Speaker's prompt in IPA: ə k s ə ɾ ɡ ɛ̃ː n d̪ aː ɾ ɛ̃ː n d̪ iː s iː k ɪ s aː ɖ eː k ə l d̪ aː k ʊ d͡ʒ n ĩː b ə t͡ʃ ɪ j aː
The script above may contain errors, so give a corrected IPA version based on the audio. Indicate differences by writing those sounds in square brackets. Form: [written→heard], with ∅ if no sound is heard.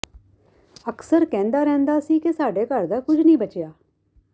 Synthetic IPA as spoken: ə k s ə ɾ [ɡ→k] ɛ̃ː n d̪ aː ɾ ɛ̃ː n d̪ [iː→aː] s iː k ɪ s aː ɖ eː k ə [l→ɾ] d̪ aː k ʊ d͡ʒ n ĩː b ə t͡ʃ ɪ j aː